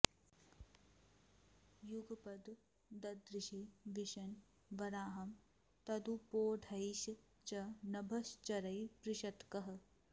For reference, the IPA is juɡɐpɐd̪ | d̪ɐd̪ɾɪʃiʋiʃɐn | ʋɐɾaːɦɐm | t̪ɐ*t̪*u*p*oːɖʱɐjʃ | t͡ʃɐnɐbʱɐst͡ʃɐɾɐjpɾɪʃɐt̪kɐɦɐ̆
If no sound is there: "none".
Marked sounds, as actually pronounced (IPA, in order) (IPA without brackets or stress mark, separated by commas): d̪, p